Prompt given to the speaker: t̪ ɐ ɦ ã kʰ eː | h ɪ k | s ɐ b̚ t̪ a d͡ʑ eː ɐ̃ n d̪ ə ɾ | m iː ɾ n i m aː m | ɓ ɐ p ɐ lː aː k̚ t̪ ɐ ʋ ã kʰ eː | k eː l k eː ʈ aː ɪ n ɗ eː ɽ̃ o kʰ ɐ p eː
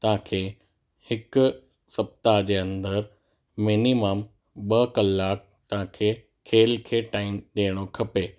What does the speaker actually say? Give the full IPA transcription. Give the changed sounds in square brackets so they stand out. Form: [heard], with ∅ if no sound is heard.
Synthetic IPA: t̪ ɐ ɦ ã kʰ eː | h ɪ k | s ɐ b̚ t̪ a d͡ʑ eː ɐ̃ n d̪ ə ɾ | m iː [∅] n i m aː m | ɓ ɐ [k] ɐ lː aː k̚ t̪ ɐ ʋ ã kʰ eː | [kʰ] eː l [kʰ] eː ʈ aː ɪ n ɗ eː ɽ̃ o kʰ ɐ p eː